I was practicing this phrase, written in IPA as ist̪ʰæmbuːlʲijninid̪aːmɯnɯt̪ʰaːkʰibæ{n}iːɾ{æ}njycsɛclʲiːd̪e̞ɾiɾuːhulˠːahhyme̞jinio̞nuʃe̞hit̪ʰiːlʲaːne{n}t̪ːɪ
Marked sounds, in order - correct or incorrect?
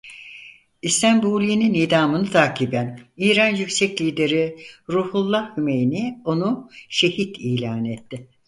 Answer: correct, incorrect: a, incorrect: none

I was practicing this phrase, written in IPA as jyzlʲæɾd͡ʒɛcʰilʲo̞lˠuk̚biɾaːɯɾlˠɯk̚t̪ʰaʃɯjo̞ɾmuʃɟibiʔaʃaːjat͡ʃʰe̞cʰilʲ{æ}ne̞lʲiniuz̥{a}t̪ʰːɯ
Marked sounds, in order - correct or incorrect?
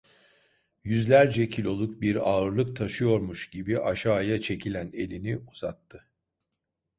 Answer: correct, correct

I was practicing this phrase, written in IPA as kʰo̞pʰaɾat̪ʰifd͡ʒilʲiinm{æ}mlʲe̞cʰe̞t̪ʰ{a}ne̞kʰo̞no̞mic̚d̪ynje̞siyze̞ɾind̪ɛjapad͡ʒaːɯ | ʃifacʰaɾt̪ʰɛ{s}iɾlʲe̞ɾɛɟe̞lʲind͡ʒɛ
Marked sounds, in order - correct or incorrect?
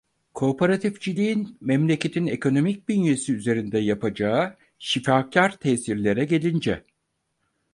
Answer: incorrect: ɛ, incorrect: i, correct

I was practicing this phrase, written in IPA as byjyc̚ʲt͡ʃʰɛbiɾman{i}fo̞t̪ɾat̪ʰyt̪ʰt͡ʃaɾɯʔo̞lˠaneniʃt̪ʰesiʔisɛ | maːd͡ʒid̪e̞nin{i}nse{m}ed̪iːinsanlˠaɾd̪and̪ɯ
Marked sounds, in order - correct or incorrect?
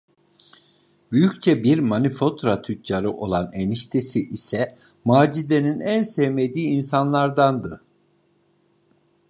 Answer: correct, incorrect: æ, correct

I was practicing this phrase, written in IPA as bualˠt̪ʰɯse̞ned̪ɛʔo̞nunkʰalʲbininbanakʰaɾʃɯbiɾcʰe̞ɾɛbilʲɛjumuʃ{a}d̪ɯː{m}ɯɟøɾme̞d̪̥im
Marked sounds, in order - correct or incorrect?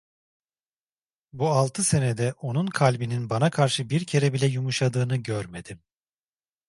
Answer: correct, incorrect: n

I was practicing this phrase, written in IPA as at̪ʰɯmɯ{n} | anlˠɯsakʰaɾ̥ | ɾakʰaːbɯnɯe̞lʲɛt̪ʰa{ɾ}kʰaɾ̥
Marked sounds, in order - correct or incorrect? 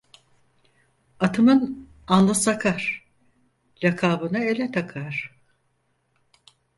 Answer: correct, incorrect: none

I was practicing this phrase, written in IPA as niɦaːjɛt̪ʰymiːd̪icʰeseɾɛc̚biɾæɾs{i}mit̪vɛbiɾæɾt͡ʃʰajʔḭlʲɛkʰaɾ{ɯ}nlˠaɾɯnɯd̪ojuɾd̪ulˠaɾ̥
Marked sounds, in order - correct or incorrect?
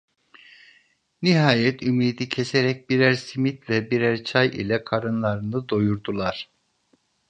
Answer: correct, correct

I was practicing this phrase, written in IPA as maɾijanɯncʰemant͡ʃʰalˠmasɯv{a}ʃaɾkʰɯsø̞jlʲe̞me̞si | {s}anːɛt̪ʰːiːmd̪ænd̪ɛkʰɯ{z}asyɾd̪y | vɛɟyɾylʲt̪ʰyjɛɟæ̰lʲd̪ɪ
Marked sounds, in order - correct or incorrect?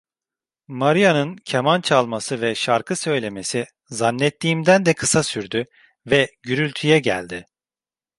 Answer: incorrect: ɛ, incorrect: z, incorrect: s

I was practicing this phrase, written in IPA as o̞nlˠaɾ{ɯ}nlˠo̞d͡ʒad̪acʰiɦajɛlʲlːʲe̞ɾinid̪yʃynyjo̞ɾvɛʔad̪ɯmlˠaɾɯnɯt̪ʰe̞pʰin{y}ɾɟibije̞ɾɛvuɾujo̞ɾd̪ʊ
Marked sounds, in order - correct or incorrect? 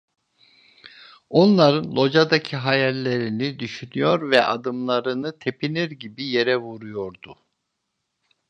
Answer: correct, incorrect: i

